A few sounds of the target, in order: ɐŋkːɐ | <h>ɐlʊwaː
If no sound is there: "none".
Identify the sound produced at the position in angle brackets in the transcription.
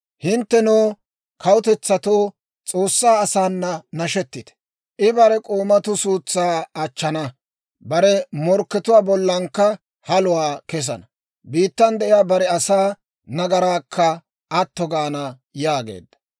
h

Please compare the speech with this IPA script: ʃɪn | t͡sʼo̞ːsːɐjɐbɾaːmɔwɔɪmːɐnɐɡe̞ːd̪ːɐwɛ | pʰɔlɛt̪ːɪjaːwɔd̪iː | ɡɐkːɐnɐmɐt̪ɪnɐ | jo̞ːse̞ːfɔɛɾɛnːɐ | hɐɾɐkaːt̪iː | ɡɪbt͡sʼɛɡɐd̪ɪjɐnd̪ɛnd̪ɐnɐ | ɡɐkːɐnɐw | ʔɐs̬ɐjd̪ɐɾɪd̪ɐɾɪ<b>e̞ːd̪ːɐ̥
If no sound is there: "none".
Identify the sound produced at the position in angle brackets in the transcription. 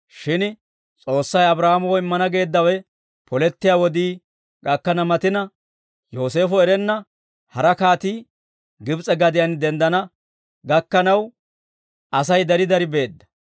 b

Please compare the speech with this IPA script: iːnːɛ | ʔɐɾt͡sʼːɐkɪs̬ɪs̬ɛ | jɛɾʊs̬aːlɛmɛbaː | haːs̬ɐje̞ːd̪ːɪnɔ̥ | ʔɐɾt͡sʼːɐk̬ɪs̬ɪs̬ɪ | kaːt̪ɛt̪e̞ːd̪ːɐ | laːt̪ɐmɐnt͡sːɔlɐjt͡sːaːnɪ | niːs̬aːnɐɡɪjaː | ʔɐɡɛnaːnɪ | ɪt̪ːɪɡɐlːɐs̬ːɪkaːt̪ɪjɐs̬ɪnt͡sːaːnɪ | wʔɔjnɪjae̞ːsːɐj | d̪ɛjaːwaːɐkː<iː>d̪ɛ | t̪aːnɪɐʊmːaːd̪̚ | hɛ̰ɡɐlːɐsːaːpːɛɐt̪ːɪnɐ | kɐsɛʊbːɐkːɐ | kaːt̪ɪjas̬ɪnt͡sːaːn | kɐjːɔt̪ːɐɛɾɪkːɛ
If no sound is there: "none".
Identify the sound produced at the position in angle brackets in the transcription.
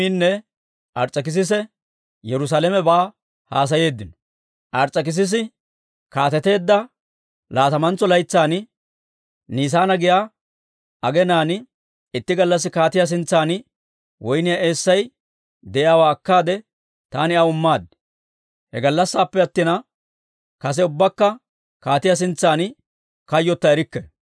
aː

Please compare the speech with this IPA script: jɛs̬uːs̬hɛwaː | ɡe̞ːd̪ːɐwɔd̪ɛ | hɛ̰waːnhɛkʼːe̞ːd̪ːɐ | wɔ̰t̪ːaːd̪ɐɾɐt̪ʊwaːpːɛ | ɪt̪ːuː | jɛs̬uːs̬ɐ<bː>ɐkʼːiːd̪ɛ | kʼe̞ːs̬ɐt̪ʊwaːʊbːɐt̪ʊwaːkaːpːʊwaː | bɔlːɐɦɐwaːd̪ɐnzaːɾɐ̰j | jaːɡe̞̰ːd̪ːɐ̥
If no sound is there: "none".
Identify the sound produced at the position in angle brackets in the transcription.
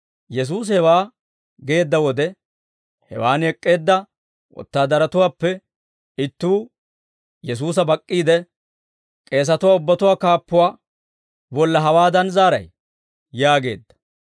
b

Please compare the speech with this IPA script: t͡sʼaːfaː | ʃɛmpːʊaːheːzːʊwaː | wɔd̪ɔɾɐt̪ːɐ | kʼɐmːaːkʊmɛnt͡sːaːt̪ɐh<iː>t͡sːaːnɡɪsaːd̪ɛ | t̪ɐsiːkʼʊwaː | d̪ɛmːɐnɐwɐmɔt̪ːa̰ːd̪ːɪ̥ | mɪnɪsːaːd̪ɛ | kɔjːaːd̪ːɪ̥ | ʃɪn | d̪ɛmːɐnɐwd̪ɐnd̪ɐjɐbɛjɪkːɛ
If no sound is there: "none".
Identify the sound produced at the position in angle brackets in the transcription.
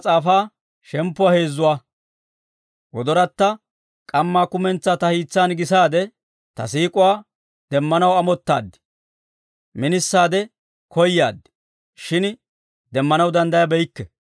iː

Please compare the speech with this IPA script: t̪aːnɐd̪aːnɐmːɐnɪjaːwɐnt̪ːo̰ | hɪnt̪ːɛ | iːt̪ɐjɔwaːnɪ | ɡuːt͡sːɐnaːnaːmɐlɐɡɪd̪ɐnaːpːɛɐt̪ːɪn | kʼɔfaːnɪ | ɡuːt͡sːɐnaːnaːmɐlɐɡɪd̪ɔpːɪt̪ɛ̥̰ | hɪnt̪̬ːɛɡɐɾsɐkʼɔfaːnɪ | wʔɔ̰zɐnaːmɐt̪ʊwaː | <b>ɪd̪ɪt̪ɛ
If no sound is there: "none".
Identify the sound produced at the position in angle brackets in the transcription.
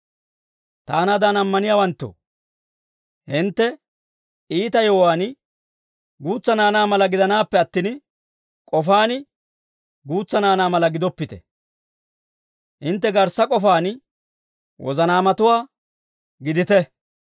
ɡ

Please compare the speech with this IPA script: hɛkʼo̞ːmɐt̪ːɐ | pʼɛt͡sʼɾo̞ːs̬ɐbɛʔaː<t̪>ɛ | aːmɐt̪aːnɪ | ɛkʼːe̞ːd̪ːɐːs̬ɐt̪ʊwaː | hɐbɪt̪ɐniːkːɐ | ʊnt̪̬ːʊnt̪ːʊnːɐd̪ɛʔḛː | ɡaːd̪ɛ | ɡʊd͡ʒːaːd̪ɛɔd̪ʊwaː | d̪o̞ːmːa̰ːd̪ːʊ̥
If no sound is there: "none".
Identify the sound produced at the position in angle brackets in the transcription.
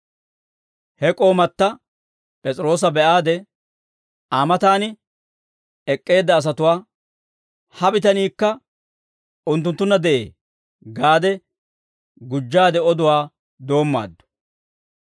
d̪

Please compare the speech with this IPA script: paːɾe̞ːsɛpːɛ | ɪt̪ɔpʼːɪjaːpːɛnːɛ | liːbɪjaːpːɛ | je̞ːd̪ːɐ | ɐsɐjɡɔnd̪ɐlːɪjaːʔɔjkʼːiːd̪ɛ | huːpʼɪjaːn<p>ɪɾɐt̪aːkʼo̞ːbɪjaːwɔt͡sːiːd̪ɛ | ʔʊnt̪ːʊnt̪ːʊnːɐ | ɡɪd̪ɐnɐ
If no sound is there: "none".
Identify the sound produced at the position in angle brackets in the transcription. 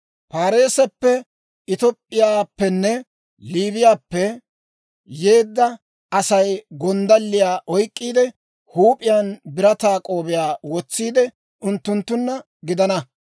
b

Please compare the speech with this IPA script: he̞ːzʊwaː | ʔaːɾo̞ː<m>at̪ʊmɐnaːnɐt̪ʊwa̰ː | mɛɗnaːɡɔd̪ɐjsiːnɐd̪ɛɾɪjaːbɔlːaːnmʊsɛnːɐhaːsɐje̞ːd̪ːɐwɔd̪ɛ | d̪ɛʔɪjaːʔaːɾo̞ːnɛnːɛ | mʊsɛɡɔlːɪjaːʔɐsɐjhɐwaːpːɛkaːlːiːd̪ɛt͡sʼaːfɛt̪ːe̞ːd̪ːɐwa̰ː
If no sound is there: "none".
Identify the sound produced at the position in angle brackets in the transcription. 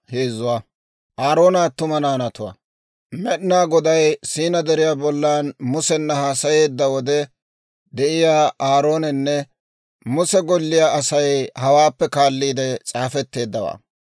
n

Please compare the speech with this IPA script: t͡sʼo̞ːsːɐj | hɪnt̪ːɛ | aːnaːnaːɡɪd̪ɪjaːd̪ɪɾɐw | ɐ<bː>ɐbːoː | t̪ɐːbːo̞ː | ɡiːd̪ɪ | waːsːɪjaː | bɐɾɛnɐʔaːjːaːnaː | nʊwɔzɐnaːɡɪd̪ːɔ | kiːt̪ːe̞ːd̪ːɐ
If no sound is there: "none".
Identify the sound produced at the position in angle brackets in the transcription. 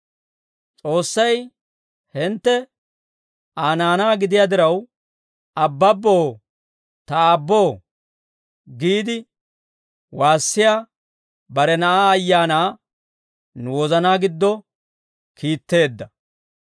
bː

